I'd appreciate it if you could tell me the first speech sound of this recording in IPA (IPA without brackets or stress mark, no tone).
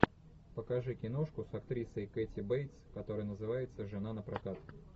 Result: p